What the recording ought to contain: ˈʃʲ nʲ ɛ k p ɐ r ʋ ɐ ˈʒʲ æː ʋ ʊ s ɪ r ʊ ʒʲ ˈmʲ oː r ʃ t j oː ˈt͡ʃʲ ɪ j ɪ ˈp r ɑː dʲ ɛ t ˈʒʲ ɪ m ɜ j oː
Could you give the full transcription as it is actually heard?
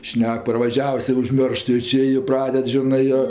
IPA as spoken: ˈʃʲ nʲ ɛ k p ɐ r ʋ ɐ ˈʒʲ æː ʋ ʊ s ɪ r ʊ ʒʲ ˈmʲ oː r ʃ t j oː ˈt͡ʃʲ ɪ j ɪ ˈp r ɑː dʲ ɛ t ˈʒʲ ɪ n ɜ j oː